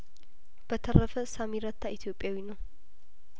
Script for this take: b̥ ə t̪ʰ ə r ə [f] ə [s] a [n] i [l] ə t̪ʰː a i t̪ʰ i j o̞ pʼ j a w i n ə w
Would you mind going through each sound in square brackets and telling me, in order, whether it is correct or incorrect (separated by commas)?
correct, correct, incorrect, incorrect